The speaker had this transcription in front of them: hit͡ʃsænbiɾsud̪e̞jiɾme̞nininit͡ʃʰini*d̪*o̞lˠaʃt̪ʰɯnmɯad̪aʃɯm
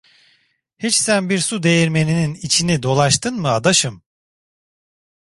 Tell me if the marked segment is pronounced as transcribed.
yes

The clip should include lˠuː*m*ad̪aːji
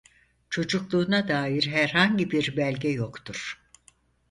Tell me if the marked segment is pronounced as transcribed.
no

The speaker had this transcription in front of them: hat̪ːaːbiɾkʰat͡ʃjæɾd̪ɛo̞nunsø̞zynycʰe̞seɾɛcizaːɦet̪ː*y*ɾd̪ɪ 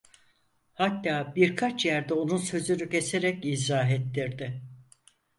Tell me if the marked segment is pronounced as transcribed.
no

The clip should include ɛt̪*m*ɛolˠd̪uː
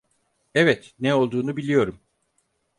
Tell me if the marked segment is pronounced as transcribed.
no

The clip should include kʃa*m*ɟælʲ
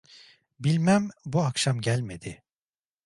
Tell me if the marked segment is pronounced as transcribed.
yes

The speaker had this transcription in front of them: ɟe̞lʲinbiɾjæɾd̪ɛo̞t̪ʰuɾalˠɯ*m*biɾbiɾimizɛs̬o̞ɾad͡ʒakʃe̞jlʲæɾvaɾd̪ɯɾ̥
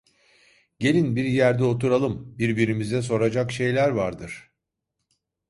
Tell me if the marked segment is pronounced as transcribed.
yes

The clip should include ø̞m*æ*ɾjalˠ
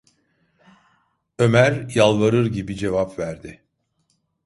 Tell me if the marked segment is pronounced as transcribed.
yes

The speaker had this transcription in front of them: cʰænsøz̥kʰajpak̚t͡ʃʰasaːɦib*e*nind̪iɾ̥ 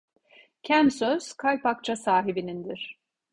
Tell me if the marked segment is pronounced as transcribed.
no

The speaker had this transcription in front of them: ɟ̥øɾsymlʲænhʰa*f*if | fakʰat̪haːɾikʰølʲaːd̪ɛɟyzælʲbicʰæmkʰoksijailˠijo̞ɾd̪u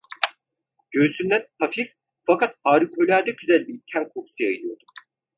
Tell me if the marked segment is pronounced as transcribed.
yes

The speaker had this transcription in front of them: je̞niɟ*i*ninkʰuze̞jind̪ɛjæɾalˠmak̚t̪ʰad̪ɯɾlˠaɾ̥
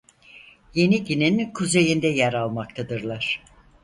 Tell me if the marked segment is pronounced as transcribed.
yes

